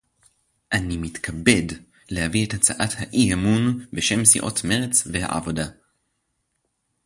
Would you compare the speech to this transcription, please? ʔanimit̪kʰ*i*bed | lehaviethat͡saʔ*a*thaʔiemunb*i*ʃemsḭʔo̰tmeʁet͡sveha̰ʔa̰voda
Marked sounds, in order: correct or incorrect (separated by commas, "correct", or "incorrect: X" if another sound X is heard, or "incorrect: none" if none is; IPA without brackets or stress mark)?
incorrect: a, correct, incorrect: e